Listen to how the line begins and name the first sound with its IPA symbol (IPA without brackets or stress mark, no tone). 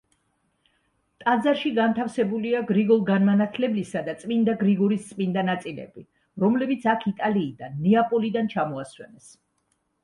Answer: t̪ʼ